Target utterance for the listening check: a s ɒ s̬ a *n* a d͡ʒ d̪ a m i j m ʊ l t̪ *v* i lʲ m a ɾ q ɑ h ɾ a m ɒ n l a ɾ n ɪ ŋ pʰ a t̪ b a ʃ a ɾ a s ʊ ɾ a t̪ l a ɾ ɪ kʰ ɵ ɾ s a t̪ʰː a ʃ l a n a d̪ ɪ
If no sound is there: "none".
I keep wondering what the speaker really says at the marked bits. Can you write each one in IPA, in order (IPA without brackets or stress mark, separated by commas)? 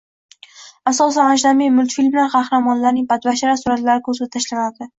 n, f